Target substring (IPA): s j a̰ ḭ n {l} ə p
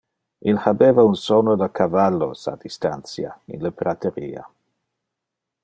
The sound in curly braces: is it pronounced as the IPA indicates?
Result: yes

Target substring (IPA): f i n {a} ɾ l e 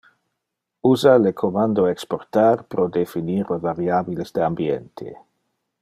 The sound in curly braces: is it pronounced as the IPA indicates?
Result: no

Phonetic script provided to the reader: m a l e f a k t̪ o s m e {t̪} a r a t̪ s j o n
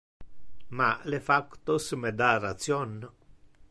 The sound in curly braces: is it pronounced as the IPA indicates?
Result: no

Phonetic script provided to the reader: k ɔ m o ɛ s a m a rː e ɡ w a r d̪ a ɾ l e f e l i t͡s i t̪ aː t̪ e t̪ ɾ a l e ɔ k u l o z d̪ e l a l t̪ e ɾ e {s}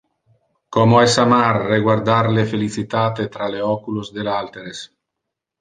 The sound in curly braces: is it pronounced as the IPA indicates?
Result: yes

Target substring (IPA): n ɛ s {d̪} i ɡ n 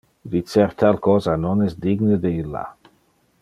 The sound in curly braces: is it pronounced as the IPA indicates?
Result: yes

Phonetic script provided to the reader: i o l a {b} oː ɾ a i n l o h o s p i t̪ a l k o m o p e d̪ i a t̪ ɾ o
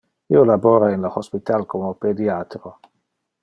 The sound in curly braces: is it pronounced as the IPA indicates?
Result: yes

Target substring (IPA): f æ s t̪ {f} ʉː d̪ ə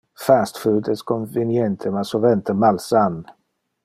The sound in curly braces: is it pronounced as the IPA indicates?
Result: yes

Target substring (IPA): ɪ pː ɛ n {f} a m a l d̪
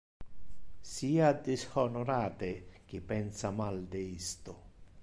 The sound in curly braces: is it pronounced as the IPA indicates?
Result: no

